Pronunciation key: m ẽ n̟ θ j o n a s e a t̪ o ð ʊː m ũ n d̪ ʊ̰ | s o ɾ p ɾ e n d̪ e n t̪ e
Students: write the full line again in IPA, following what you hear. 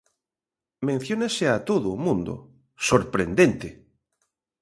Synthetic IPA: m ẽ n̟ θ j o n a s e a t̪ o ð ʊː m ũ n d̪ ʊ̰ | s o ɾ p ɾ e n d̪ e n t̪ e